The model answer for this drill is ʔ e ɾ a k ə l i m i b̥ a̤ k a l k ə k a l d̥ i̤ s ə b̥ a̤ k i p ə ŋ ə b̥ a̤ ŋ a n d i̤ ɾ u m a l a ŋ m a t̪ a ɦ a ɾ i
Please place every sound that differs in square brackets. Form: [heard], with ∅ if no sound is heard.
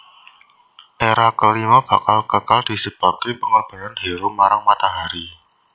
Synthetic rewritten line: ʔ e ɾ a k ə l i m [a] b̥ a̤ k a l k ə k a l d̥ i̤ s ə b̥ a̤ k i p ə ŋ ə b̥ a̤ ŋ a n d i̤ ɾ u m a [ɾ] a ŋ m a t̪ a ɦ a ɾ i